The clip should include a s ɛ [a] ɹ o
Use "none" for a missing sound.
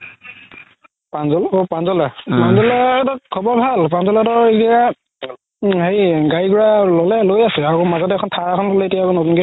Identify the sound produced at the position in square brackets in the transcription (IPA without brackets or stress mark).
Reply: a